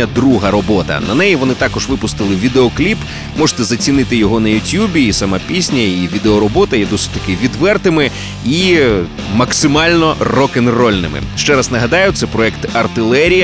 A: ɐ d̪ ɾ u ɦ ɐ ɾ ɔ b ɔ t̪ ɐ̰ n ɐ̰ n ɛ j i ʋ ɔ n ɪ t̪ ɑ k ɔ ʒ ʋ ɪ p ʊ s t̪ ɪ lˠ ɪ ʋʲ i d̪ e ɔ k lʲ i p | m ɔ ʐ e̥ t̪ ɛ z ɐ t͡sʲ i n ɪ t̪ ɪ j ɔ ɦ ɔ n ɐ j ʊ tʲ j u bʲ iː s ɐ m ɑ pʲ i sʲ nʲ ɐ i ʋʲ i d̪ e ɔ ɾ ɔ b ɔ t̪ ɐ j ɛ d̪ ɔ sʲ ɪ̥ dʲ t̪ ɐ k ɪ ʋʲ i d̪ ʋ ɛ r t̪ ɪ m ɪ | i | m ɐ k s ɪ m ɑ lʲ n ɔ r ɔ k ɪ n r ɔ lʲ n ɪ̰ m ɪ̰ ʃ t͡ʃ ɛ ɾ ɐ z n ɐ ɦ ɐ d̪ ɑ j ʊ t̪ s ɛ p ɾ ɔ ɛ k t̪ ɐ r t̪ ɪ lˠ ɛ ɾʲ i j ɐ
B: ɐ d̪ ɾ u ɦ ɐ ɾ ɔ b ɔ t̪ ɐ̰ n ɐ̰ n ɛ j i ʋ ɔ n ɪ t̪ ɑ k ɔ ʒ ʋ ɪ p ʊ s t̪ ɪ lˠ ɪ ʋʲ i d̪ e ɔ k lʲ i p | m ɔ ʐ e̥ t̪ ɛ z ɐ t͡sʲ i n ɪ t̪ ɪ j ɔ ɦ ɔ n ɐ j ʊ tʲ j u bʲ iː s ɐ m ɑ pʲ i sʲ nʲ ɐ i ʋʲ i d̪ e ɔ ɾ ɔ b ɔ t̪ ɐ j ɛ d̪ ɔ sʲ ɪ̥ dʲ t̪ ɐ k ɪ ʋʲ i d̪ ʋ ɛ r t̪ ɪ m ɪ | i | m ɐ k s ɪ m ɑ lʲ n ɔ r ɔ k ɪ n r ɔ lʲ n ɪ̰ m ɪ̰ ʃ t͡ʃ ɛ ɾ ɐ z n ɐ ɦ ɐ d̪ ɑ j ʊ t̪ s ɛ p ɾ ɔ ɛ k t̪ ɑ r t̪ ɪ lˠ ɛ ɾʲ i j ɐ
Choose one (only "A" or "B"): A